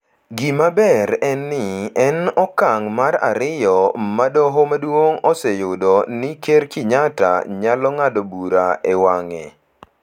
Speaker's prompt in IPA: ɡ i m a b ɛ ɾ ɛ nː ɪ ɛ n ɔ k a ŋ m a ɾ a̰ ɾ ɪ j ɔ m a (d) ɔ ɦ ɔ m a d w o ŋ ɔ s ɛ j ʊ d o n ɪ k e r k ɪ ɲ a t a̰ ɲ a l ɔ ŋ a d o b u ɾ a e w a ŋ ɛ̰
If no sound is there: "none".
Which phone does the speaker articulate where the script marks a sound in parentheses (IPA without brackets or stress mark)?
d